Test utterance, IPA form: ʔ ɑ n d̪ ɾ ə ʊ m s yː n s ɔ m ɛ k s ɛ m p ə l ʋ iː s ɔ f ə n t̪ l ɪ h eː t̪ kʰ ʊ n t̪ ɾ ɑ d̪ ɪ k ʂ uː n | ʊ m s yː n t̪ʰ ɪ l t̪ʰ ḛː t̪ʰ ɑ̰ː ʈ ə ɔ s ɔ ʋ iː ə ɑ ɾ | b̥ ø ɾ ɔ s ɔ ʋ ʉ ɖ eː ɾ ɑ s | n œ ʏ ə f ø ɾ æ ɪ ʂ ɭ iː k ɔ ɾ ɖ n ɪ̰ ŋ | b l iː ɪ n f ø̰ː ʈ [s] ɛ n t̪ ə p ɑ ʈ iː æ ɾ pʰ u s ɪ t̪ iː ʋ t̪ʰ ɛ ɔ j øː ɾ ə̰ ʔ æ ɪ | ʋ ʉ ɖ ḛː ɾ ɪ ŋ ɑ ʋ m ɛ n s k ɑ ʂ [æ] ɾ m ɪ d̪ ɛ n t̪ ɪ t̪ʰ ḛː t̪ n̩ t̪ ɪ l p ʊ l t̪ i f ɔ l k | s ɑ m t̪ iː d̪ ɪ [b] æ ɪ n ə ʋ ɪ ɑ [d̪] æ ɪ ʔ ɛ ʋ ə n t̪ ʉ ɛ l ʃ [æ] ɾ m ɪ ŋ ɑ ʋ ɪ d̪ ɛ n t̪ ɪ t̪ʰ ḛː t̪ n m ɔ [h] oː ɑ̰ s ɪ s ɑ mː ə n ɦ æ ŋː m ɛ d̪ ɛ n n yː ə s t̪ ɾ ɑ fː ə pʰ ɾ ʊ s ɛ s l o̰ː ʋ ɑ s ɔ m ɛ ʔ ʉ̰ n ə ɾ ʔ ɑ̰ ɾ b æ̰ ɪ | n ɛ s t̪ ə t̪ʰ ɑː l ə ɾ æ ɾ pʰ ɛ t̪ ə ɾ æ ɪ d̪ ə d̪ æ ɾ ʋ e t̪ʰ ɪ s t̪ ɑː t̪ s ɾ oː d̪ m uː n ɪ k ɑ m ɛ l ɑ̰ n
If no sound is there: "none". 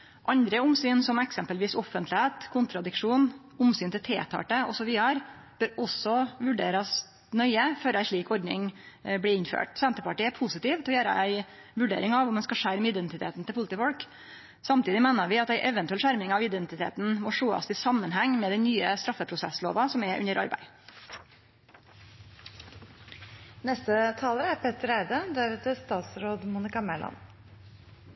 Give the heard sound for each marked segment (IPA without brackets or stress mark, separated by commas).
s, æ, m, t̪, æ, ʂ